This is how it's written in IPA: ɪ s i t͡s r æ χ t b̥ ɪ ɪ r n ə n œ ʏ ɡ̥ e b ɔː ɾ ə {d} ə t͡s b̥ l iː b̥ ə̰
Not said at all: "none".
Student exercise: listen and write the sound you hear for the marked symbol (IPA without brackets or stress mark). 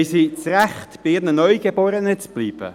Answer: n